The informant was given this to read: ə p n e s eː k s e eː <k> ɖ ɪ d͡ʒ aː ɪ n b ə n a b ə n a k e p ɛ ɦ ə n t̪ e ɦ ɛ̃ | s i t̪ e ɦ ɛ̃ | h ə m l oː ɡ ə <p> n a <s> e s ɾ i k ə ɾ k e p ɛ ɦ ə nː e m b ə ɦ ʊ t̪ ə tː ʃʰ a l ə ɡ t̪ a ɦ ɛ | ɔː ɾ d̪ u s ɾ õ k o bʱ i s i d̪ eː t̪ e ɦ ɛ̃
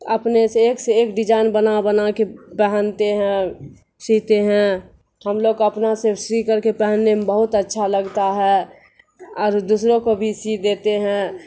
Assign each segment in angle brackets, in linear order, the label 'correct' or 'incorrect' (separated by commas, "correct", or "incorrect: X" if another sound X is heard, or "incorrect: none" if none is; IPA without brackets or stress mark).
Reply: correct, correct, correct